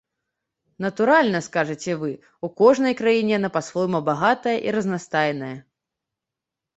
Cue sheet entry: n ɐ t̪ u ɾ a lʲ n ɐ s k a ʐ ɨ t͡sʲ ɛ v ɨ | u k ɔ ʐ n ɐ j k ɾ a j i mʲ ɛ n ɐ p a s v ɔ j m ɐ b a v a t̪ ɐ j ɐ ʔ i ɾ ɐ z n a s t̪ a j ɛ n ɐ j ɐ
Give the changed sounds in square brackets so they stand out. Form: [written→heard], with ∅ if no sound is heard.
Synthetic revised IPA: n ɐ t̪ u ɾ a lʲ n ɐ s k a ʐ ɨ t͡sʲ ɛ v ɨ | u k ɔ ʐ n ɐ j k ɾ a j i [mʲ→nʲ] ɛ n ɐ p a s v ɔ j m ɐ b a [v→ɣ] a t̪ ɐ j ɐ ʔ i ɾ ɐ z n a s t̪ a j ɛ n ɐ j ɐ

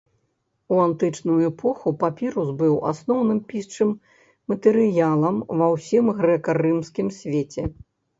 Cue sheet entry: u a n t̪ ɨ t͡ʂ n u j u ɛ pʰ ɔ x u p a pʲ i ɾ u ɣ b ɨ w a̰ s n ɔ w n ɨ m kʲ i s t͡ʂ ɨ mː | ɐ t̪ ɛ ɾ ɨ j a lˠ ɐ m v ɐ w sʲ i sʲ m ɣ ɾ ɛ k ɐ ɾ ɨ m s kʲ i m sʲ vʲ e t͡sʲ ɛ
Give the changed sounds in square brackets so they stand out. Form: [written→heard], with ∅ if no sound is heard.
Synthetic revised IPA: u a n t̪ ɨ t͡ʂ n u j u ɛ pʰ ɔ x u p a pʲ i ɾ u [ɣ→z] b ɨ w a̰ s n ɔ w n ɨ m [kʲ→pʲ] i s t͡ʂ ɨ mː | ɐ t̪ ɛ ɾ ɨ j a lˠ ɐ m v ɐ w sʲ i [sʲ→∅] m ɣ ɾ ɛ k ɐ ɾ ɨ m s kʲ i m sʲ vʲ e t͡sʲ ɛ

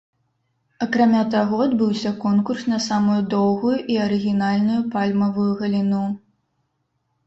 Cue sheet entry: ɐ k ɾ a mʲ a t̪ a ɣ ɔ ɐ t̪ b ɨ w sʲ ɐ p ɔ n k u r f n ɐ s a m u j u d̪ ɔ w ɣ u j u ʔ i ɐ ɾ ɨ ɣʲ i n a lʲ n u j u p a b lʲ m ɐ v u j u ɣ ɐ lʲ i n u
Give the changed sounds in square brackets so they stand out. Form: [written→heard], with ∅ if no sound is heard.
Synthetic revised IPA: ɐ k ɾ a mʲ a t̪ a ɣ ɔ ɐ [t̪→d̪] b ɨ w sʲ ɐ [p→k] ɔ n k u r [f→s] n ɐ s a m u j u d̪ ɔ w ɣ u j u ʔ i ɐ ɾ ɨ ɣʲ i n a lʲ n u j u p a [b→∅] lʲ m ɐ v u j u ɣ ɐ lʲ i n u

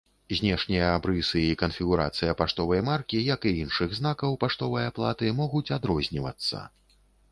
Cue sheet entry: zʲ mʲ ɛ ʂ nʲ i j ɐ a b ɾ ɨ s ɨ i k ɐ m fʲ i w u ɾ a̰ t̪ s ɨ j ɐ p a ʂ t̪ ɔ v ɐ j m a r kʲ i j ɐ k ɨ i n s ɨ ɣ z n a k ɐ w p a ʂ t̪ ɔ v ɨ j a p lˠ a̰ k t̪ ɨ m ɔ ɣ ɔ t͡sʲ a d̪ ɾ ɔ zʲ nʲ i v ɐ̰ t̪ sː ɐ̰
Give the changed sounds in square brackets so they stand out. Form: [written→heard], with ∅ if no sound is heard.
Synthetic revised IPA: zʲ [mʲ→nʲ] ɛ ʂ nʲ i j ɐ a b ɾ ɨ s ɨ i k ɐ [m→n] fʲ i [w→ɣ] u ɾ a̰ t̪ s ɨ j ɐ p a ʂ t̪ ɔ v ɐ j m a r kʲ i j ɐ k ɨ i n [s→ʂ] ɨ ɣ z n a k ɐ w p a ʂ t̪ ɔ v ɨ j a p lˠ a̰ [k→∅] t̪ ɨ m ɔ ɣ [ɔ→u] t͡sʲ a d̪ ɾ ɔ zʲ nʲ i v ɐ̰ t̪ sː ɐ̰

